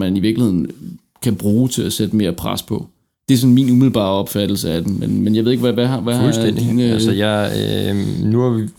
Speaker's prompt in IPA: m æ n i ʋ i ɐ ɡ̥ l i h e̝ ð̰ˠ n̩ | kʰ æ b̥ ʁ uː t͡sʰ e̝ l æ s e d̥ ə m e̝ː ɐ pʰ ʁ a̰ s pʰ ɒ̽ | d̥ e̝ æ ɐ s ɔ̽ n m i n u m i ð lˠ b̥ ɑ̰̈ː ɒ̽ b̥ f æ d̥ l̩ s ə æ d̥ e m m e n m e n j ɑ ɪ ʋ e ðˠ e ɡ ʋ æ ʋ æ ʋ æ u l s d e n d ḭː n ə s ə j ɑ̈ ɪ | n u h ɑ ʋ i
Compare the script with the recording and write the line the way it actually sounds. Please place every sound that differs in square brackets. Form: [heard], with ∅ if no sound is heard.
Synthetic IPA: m æ n i ʋ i ɐ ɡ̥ l i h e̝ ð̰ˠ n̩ | kʰ æ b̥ ʁ uː t͡sʰ e̝ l æ s e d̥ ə m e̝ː ɐ pʰ ʁ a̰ s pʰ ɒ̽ | d̥ e̝ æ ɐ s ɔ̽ n m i n u m i ð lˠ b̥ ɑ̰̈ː ɒ̽ b̥ f æ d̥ l̩ s ə æ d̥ e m m e n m e n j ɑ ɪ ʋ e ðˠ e ɡ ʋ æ ʋ æ ʋ æ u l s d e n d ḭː n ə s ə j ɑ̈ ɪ | n u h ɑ ʋ i